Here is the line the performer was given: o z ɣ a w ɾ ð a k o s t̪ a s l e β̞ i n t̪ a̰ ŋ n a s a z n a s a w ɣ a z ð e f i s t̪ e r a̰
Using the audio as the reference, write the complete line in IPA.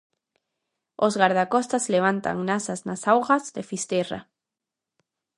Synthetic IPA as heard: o z ɣ a ɾ ð a k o s t̪ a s l e β̞ a n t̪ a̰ ŋ n a s a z n a s a w ɣ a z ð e f i s t̪ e r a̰